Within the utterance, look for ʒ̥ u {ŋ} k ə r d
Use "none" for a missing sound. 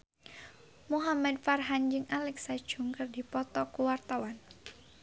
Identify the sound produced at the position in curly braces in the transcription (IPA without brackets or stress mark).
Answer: ŋ